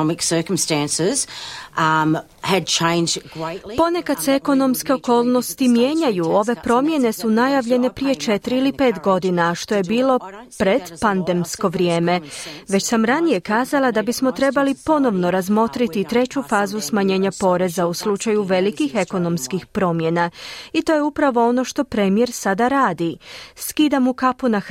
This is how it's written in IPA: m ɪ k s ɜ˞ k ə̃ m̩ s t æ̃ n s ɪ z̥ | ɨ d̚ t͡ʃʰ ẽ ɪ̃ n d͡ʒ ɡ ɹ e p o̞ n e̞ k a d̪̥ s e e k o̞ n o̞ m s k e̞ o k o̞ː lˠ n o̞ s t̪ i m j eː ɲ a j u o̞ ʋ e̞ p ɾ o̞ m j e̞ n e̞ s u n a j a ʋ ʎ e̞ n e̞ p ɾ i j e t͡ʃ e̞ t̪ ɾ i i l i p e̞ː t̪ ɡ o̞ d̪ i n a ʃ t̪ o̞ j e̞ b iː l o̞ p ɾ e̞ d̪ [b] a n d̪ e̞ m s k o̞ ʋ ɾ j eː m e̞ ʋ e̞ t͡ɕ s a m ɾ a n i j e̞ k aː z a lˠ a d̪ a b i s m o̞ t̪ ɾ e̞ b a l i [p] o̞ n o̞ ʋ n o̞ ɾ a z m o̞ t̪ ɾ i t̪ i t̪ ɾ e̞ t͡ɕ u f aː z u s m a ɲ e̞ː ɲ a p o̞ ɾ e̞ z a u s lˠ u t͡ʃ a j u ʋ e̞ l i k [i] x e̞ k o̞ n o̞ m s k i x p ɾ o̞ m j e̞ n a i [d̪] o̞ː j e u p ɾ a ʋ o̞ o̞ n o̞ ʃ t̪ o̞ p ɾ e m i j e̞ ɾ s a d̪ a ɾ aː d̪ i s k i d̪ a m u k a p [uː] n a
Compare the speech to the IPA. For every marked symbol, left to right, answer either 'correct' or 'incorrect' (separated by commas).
incorrect, correct, correct, incorrect, incorrect